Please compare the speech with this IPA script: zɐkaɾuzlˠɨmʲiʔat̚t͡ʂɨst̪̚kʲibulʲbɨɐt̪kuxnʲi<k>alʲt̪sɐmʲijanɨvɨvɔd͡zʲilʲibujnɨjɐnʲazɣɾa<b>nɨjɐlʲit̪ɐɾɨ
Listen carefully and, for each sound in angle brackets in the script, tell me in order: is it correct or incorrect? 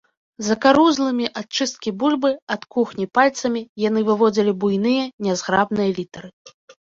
incorrect: p, correct

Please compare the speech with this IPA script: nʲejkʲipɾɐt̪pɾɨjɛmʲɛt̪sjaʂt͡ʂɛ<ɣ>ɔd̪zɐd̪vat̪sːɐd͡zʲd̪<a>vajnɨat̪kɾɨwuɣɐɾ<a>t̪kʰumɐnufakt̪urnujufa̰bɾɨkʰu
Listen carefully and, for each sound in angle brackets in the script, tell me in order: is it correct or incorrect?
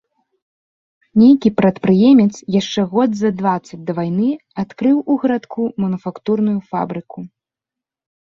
correct, incorrect: ɐ, correct

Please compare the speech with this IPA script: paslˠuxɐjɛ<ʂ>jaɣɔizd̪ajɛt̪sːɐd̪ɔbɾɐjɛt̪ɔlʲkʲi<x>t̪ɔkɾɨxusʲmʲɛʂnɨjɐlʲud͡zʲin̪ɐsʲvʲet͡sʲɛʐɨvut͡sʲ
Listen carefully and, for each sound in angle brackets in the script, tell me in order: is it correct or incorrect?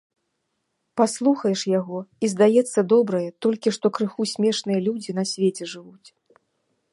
correct, incorrect: ʂ

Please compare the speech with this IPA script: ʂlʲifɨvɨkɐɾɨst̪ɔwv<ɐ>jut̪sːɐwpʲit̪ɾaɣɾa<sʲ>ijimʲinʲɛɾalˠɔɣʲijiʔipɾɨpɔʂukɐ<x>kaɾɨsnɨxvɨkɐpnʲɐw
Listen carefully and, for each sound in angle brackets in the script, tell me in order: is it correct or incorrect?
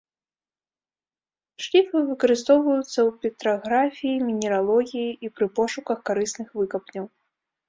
correct, incorrect: fʲ, correct

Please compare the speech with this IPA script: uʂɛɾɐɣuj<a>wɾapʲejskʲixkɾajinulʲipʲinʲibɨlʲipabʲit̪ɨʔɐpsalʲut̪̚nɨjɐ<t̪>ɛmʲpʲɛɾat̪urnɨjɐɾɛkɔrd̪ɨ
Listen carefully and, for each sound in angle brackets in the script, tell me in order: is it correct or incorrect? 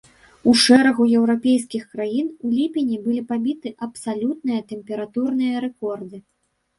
incorrect: ɛ, correct

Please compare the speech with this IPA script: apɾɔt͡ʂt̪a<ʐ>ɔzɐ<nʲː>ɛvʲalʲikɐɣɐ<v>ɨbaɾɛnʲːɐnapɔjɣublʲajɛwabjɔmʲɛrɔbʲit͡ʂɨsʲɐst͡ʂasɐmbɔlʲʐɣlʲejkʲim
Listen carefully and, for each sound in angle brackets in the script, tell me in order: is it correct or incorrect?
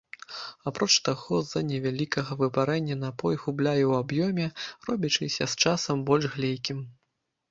incorrect: ɣ, incorrect: nʲ, correct

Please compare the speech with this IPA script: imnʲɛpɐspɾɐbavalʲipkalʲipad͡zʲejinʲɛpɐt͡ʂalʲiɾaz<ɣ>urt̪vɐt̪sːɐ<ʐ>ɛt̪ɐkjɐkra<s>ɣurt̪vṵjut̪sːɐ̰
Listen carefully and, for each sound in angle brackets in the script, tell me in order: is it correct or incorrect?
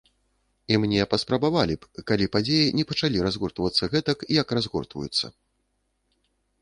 correct, incorrect: ɣ, incorrect: z

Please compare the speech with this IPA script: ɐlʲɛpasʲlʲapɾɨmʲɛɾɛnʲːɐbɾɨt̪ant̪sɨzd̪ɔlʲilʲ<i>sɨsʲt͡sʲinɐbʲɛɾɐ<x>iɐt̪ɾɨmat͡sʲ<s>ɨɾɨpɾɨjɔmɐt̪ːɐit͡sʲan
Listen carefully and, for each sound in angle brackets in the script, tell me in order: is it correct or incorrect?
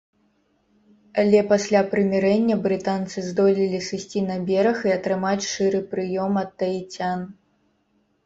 correct, correct, incorrect: ʂ

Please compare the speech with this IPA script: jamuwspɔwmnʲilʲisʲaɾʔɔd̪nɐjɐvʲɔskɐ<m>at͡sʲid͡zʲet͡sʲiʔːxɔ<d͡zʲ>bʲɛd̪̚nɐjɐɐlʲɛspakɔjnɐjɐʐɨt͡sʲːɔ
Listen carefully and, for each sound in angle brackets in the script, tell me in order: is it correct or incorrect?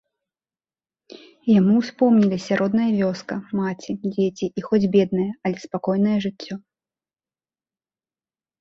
correct, correct

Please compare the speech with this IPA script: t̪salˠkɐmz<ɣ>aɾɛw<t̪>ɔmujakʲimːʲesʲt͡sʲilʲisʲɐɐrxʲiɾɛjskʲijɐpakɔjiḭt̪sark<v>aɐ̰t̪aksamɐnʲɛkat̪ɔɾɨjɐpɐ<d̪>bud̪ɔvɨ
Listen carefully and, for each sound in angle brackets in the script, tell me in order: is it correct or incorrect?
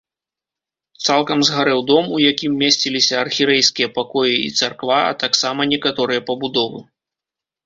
correct, incorrect: d̪, correct, incorrect: none

